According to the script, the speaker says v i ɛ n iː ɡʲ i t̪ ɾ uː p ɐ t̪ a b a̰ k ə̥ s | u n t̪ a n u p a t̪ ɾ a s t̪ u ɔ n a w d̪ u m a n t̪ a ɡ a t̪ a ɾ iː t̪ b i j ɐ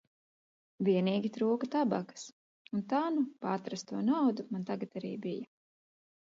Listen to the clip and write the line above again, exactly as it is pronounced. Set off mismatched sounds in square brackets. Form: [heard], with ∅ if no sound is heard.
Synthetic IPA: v i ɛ n iː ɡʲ i t̪ ɾ uː [k] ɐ t̪ a b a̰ k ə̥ s | u n t̪ a n u p a t̪ ɾ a s t̪ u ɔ n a w d̪ u m a n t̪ a ɡ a t̪ a ɾ iː [∅] b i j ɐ